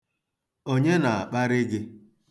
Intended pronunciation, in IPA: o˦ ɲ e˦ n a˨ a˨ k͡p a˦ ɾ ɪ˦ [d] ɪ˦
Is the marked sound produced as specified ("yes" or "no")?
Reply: no